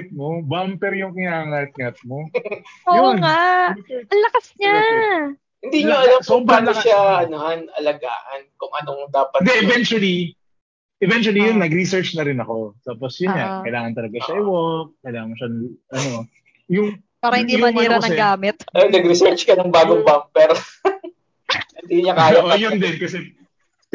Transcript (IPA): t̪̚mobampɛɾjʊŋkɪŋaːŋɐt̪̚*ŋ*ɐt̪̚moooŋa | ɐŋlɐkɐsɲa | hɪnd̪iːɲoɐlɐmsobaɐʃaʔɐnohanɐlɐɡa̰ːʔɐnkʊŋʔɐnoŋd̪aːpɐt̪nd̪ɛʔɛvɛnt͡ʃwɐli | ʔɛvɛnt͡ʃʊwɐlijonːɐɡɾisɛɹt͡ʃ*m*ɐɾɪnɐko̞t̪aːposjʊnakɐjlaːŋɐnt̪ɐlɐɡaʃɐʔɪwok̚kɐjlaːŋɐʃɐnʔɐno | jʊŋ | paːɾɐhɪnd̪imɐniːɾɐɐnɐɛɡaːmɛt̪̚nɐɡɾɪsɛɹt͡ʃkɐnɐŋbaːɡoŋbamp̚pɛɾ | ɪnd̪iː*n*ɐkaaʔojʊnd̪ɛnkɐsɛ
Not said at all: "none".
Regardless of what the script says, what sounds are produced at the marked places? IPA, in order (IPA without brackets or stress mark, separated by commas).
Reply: ŋ, n, ɲ